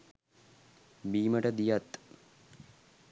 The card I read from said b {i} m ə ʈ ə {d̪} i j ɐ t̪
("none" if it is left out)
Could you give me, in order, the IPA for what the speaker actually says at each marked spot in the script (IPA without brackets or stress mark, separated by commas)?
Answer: iː, d̪